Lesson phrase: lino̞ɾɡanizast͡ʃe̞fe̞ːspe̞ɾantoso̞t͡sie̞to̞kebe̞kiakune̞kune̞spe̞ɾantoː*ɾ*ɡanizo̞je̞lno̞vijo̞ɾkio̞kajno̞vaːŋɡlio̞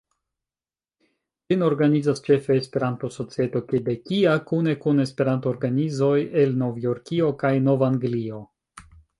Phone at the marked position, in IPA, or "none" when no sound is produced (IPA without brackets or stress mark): ɾ